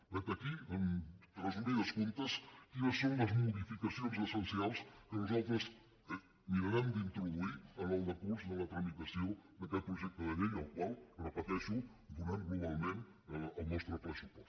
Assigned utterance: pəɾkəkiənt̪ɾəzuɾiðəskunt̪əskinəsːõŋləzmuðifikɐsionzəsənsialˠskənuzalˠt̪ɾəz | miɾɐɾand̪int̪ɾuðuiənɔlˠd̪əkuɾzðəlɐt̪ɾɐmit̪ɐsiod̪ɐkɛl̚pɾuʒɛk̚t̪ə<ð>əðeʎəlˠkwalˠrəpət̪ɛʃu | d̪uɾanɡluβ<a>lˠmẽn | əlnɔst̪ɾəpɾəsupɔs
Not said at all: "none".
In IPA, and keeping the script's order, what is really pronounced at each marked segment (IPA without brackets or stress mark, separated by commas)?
ð, a